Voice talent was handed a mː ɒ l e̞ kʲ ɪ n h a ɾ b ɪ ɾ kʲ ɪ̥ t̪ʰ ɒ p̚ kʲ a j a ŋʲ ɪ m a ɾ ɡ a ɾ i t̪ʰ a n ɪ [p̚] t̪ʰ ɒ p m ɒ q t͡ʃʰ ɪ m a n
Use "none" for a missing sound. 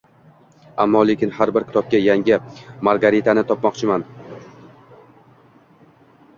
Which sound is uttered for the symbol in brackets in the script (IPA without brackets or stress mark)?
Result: none